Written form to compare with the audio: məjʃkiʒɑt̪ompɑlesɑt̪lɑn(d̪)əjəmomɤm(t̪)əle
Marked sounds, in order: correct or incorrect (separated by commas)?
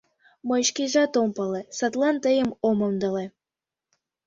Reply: incorrect, incorrect